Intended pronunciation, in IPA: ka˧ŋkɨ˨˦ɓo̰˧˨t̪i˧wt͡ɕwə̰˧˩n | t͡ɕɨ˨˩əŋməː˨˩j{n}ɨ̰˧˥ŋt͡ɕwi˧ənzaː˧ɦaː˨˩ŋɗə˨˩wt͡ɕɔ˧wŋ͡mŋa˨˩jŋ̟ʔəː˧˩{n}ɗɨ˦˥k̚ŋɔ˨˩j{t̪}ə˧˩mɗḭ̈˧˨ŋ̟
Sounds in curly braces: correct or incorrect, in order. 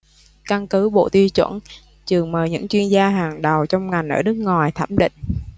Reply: incorrect: ɲ, incorrect: none, incorrect: t̪ʰ

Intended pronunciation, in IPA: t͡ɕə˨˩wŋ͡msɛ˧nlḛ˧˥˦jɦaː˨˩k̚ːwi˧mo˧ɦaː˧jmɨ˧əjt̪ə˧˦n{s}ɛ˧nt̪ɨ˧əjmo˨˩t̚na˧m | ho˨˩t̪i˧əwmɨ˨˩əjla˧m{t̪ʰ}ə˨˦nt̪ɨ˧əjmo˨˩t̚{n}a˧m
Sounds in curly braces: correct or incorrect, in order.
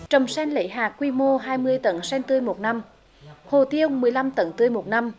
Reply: correct, incorrect: t̪, correct

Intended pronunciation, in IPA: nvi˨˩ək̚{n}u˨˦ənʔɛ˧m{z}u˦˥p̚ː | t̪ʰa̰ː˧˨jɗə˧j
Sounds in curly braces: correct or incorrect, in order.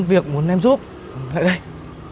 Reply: incorrect: m, correct

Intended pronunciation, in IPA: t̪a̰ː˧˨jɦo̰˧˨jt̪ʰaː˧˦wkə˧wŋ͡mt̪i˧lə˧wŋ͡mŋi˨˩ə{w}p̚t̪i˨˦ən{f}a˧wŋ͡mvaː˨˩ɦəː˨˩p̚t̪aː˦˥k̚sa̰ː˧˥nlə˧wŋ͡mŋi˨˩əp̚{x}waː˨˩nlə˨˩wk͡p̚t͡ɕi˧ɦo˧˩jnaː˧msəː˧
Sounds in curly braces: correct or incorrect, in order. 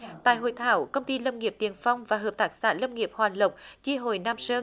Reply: incorrect: none, correct, incorrect: h

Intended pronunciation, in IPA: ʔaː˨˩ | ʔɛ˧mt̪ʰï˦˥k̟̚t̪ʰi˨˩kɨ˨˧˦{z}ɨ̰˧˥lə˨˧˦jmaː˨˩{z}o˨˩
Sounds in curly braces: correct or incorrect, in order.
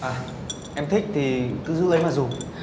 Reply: correct, correct

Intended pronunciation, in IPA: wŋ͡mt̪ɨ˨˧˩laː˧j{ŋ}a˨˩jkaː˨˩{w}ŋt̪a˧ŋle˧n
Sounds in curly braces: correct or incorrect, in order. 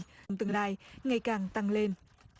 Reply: correct, incorrect: none

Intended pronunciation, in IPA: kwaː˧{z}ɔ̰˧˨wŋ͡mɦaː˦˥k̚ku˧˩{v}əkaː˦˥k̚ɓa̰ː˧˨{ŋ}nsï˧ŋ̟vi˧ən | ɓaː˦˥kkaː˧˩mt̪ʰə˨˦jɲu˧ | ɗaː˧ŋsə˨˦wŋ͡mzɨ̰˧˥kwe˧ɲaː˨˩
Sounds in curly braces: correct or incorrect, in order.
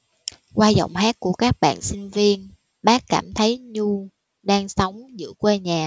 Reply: correct, incorrect: none, incorrect: none

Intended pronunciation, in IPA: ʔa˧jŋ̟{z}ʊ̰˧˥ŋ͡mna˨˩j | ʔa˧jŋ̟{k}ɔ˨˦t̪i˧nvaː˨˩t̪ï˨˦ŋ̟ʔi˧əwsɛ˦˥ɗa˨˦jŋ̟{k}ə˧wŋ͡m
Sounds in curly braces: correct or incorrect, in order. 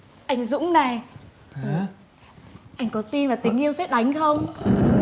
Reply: correct, correct, incorrect: x

